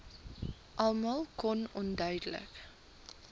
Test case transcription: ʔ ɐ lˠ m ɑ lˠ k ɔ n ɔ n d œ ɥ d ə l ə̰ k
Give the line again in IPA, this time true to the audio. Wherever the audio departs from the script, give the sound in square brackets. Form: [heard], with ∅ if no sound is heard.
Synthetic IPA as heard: ʔ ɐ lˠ m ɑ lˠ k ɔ n ɔ n d œ ɥ d ə l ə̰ k